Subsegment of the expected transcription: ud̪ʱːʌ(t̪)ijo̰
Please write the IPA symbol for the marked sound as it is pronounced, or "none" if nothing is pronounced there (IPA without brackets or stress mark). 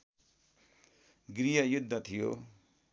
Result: t̪ʰ